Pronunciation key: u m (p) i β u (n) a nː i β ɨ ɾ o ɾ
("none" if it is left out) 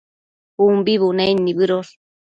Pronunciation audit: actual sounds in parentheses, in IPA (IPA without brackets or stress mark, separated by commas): b, n